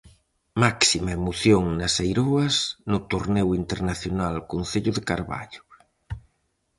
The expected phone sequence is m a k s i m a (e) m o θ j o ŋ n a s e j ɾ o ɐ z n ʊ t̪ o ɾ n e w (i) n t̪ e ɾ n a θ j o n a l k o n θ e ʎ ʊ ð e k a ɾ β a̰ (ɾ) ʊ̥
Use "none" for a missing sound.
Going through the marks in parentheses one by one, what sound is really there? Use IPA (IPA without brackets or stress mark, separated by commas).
e, i, ʎ